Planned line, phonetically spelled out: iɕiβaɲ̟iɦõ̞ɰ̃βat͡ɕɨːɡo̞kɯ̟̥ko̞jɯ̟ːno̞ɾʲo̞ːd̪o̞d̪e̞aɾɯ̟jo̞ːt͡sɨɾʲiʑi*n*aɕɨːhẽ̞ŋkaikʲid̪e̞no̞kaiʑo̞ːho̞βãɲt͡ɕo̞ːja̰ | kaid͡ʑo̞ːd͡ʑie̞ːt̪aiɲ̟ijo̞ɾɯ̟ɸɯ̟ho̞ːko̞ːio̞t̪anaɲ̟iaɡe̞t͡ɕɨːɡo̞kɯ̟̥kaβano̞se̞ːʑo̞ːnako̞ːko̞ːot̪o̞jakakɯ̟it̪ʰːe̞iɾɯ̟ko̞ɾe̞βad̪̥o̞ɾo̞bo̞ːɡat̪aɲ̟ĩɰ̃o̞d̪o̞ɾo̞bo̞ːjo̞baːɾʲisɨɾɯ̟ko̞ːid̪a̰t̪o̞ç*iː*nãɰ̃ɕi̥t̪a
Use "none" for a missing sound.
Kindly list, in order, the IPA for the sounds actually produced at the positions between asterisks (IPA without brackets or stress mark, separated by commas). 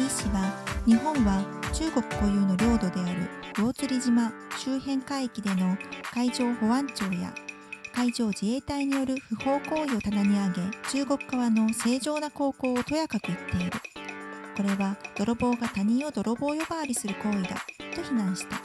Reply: m, i